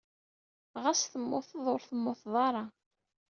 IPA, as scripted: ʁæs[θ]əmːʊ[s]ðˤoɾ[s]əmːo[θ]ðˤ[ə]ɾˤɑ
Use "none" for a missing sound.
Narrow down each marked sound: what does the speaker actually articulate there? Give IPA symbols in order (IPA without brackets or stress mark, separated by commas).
θ, θ, θ, θ, ɑ